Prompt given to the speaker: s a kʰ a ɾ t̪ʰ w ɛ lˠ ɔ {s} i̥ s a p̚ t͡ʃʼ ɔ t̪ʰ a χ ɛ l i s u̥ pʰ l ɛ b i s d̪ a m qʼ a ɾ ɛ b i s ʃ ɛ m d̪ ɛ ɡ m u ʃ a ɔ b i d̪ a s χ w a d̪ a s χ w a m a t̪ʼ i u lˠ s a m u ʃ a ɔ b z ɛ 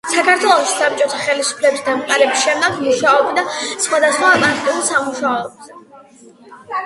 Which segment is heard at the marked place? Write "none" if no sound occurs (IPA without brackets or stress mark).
ʃ